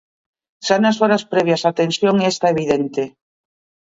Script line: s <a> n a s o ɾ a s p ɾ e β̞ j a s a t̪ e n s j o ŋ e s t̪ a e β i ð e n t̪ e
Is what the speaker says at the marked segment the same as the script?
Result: yes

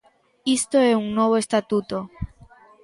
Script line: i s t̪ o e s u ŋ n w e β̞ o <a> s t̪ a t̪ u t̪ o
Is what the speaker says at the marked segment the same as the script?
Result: no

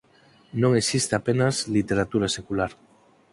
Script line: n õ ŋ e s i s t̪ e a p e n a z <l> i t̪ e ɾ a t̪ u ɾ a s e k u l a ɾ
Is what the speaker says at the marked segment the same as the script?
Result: yes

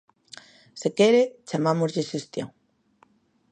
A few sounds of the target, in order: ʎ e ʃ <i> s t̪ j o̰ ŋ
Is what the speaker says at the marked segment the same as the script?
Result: no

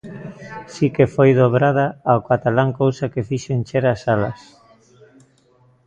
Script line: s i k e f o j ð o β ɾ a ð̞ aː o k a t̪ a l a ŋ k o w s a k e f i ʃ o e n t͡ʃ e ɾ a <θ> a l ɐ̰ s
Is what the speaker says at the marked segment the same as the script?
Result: no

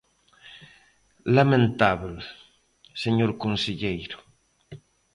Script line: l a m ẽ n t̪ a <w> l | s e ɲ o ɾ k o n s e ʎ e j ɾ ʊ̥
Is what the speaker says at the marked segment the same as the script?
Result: no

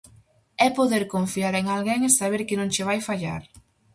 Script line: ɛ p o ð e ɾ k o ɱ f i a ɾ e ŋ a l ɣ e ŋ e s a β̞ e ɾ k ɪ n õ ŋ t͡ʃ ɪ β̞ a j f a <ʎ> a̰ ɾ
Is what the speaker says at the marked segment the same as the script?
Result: yes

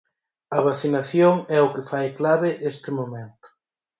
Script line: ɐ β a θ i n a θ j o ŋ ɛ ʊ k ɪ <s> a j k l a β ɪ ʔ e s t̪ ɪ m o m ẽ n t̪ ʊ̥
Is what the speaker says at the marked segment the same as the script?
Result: no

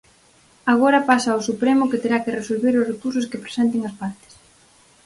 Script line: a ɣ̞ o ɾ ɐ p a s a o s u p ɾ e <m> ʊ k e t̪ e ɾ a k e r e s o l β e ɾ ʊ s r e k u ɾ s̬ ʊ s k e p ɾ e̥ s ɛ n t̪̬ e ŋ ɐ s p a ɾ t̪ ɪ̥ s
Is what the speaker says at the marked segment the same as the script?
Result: yes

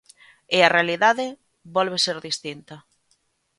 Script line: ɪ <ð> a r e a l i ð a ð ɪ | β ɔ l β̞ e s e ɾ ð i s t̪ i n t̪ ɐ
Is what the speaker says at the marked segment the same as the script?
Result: no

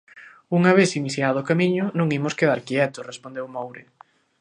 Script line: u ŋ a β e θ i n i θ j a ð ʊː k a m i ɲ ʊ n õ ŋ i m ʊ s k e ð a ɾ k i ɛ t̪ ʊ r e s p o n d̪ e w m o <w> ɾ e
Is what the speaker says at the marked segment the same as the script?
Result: yes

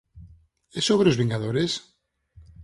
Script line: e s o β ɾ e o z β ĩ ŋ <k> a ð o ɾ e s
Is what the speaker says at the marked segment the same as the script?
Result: no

